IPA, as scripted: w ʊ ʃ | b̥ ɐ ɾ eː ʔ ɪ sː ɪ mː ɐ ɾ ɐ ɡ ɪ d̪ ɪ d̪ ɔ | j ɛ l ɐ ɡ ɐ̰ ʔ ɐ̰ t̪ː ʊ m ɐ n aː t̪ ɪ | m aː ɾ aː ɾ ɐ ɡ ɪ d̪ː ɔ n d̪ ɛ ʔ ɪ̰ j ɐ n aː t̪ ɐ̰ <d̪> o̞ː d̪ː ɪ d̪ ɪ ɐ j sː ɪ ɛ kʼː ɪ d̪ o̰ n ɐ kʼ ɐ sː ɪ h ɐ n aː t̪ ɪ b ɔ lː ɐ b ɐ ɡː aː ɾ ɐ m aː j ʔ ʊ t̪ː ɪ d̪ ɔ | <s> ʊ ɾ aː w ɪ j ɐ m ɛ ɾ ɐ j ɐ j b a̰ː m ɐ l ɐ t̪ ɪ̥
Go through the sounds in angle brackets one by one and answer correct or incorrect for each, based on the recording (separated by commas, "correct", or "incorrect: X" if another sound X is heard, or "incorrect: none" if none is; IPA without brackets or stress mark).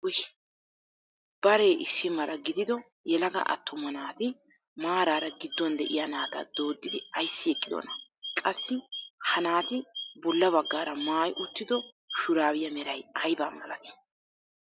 correct, incorrect: ʃ